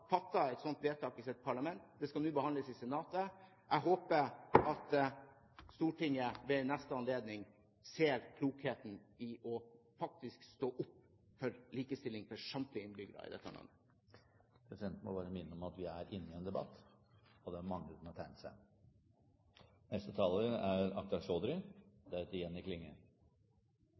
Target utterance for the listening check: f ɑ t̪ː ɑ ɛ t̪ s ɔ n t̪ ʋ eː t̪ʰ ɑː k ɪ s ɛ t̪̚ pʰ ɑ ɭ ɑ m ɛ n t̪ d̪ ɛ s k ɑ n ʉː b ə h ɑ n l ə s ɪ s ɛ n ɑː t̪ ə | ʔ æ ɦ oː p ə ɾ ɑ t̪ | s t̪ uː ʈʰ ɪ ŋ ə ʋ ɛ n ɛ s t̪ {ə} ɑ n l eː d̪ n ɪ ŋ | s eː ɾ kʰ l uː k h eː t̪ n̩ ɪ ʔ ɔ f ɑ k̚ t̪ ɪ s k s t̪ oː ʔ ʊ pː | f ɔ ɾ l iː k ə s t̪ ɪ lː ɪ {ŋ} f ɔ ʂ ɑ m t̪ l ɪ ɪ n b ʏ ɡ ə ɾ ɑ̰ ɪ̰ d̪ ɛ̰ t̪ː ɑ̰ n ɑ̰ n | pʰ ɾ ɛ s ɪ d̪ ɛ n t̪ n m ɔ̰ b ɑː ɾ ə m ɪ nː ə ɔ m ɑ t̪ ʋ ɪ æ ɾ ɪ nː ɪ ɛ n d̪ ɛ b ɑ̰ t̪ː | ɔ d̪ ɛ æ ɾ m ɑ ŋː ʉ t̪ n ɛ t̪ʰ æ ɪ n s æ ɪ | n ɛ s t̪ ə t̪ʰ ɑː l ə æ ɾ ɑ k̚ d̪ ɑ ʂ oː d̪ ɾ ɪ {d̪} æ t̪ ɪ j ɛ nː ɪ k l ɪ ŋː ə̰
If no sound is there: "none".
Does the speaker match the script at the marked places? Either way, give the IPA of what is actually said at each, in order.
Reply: ə, ŋ, d̪

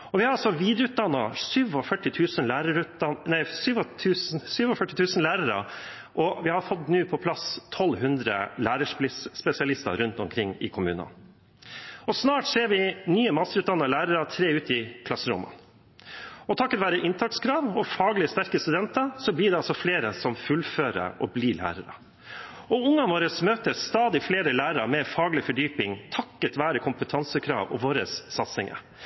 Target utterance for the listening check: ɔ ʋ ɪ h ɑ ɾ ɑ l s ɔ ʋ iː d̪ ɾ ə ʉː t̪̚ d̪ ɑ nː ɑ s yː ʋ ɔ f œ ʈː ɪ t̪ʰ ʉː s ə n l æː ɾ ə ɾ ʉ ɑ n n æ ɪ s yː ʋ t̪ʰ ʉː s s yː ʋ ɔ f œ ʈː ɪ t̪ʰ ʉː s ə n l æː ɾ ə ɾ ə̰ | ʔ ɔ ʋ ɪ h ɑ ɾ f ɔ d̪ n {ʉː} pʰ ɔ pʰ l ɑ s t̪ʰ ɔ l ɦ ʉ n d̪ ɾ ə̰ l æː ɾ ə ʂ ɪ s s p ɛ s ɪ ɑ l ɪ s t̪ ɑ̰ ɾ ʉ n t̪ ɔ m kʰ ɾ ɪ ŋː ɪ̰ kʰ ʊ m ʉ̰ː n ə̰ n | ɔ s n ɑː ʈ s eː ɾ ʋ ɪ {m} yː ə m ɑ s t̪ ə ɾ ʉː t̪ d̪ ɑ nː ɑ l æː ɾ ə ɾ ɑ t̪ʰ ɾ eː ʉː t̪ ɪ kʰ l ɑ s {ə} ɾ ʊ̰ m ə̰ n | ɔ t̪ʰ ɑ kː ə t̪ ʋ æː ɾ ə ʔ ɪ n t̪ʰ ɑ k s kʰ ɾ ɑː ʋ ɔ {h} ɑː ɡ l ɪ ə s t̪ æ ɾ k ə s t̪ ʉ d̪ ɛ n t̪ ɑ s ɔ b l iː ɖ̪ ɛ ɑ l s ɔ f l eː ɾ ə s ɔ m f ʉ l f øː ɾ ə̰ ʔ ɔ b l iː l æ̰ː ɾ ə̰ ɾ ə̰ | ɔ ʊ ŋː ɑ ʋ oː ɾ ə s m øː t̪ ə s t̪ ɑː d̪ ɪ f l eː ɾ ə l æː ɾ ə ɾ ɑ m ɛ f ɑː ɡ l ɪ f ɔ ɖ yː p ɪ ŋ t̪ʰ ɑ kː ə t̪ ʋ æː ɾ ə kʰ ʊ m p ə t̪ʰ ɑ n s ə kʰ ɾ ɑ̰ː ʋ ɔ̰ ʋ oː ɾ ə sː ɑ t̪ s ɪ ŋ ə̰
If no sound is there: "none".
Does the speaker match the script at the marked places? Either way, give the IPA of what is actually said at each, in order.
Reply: ʉː, n, ə, f

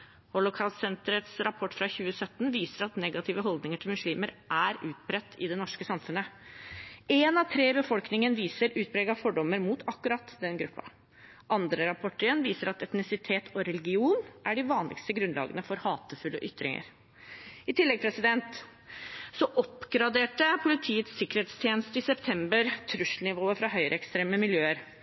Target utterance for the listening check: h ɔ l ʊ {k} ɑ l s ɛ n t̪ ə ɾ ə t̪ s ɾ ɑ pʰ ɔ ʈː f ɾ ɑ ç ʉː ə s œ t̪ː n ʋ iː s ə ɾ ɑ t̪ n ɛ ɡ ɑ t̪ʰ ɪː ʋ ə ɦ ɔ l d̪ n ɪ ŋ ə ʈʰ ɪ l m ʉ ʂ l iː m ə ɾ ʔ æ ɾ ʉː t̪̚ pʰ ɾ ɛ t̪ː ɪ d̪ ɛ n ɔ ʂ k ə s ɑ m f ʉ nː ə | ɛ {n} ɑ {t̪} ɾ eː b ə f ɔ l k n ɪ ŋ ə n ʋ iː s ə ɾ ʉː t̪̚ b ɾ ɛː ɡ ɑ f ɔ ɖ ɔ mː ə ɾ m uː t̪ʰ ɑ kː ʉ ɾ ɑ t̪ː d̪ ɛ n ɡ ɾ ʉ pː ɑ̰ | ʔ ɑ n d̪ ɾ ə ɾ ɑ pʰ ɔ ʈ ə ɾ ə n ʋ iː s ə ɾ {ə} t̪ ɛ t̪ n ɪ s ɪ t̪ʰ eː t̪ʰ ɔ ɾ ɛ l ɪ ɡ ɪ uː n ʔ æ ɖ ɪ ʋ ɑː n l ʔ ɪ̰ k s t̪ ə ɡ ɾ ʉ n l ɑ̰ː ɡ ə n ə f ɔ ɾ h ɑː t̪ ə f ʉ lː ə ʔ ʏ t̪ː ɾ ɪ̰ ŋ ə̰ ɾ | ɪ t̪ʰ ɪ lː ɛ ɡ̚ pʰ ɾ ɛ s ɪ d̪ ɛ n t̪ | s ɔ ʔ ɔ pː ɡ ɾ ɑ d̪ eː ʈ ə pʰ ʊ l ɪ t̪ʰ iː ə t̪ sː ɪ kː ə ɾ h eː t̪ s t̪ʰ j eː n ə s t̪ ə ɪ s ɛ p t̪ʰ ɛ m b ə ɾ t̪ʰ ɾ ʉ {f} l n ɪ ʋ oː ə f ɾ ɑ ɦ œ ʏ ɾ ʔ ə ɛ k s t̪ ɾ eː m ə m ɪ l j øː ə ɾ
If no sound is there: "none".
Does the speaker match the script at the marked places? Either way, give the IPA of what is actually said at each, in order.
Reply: kʰ, n, t̪ʰ, ɑ, ʂ

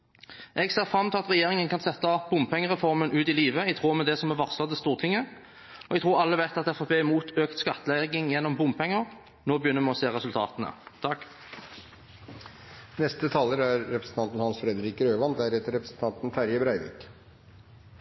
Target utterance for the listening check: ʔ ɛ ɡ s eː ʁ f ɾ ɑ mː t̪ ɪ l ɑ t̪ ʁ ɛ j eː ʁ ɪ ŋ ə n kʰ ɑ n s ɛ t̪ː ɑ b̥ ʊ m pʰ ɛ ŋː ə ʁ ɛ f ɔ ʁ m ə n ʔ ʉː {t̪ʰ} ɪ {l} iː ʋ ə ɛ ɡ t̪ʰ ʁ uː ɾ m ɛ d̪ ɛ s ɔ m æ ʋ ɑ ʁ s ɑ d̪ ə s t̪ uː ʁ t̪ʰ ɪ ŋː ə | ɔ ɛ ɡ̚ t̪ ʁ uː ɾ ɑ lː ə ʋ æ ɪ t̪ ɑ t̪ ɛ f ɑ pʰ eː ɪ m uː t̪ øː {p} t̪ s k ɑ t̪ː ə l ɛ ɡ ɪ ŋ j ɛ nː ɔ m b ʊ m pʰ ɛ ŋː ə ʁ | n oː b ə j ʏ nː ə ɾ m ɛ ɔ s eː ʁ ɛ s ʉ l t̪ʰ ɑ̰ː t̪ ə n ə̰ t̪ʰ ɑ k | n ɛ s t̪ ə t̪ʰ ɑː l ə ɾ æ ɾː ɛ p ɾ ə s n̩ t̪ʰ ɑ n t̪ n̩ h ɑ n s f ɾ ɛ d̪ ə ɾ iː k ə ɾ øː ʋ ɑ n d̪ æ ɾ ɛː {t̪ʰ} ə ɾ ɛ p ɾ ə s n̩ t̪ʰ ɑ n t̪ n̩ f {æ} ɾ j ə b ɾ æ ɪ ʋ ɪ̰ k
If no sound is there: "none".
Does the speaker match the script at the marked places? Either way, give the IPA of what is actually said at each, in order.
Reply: t̪, l, k, t̪, æ

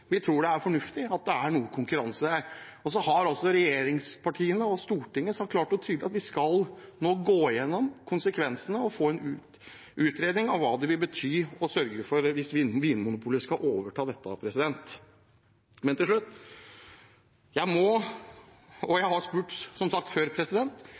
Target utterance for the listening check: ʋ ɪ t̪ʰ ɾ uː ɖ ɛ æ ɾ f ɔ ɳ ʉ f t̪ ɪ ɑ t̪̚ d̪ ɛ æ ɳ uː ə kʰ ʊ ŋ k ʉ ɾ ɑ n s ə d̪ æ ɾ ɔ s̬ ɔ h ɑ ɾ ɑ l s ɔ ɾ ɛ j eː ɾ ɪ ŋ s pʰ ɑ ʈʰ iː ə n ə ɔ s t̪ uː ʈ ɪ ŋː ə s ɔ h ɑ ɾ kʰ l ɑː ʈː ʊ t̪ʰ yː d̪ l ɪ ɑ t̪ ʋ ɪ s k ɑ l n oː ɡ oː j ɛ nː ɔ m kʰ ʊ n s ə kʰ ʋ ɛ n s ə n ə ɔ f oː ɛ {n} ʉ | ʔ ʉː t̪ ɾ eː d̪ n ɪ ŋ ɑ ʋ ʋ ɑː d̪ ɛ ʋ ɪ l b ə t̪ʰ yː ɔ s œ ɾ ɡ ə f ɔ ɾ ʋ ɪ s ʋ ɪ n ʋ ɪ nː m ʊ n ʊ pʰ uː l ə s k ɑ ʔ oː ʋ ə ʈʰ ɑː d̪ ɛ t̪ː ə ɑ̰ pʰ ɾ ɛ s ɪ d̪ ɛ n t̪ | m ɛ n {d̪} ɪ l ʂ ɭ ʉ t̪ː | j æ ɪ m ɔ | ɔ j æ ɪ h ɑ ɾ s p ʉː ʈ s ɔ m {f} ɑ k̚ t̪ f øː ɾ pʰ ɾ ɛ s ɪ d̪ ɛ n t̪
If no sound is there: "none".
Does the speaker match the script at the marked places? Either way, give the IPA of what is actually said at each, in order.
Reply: n, t̪, s

